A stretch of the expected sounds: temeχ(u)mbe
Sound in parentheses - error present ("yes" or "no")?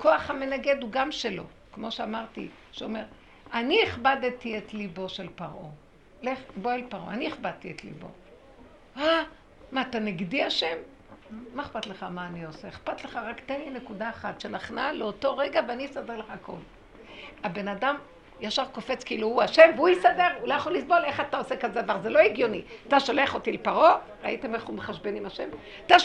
no